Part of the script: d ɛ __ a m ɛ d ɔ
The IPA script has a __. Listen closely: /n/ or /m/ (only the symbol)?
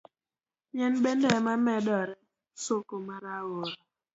m